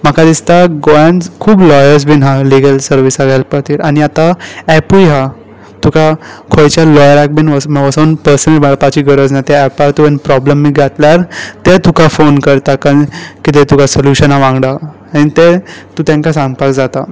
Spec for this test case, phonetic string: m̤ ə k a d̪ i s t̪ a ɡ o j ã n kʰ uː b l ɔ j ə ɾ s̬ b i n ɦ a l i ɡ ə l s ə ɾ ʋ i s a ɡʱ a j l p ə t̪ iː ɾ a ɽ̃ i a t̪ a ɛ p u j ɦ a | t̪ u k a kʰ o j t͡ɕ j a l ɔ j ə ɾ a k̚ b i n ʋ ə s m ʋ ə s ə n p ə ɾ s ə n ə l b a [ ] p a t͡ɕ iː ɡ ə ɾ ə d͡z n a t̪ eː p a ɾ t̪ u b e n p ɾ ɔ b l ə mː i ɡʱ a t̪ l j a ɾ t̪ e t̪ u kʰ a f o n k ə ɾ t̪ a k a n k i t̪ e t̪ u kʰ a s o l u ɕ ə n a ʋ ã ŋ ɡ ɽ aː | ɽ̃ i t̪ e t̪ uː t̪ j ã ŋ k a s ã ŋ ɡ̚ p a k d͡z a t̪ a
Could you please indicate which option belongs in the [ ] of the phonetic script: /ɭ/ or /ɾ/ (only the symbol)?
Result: ɭ